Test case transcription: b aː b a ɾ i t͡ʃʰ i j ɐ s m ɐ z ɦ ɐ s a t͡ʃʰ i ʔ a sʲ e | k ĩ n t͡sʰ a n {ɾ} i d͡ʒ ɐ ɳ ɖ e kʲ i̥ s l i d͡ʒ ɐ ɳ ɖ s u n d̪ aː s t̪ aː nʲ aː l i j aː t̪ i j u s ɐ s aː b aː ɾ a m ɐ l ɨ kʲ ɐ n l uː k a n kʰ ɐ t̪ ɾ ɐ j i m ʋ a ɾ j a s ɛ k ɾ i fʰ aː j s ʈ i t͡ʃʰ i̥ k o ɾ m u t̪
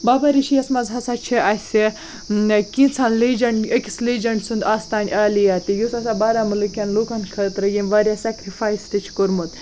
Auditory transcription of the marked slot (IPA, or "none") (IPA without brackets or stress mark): l